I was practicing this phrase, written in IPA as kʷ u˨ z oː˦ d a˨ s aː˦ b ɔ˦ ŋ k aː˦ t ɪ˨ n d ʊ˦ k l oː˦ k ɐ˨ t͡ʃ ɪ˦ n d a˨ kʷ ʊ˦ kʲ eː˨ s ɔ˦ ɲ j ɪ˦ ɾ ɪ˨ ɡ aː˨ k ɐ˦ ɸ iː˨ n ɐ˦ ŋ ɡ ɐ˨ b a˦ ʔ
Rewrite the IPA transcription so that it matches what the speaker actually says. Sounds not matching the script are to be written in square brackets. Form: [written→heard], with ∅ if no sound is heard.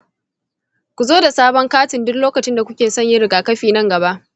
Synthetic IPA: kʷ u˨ z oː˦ d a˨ s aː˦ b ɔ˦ ŋ k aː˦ t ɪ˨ n d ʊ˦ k l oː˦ k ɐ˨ t͡ʃ ɪ˦ n d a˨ kʷ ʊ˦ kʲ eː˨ s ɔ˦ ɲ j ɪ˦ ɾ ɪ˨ ɡ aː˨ k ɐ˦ ɸ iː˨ n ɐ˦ ŋ ɡ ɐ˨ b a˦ ʔ